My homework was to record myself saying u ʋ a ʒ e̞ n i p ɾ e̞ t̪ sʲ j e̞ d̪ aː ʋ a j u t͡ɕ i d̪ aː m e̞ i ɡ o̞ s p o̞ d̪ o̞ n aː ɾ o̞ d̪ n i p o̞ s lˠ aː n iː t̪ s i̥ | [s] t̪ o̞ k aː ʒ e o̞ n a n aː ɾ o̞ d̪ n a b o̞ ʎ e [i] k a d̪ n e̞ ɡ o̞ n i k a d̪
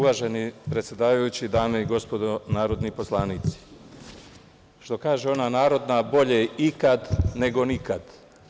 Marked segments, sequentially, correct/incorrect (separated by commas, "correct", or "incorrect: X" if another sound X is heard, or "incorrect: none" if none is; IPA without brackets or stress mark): incorrect: ʃ, correct